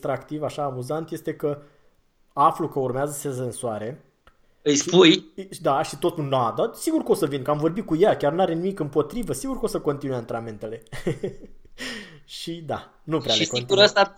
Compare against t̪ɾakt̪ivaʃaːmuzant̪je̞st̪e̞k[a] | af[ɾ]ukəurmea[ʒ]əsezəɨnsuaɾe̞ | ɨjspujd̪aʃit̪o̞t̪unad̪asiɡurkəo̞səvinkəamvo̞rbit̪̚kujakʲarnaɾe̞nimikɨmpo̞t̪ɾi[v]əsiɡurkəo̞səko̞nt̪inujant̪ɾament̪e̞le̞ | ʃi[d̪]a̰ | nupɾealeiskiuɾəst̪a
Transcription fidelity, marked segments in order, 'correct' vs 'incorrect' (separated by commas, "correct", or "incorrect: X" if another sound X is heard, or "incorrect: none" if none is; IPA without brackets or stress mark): incorrect: ə, incorrect: l, incorrect: z, correct, correct